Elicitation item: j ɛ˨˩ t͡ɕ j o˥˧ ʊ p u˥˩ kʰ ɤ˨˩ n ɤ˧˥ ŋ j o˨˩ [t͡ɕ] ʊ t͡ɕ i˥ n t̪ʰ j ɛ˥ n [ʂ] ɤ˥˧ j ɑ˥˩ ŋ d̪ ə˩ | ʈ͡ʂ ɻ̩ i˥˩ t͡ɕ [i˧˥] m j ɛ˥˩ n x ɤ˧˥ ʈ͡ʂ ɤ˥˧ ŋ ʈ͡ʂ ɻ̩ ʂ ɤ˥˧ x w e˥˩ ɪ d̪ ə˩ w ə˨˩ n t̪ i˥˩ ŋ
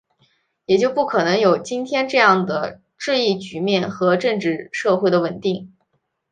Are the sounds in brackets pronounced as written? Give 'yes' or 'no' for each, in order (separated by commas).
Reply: no, no, no